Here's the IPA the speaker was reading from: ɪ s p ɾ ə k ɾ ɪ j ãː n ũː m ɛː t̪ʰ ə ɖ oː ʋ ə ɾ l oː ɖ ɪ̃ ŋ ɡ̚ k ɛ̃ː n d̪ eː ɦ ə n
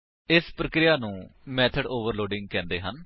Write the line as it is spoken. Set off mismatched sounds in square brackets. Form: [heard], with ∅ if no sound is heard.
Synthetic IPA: ɪ s p ɾ ə k ɾ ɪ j [aː] n ũː m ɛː t̪ʰ ə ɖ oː ʋ ə ɾ l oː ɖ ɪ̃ ŋ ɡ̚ k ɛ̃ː n d̪ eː ɦ ə n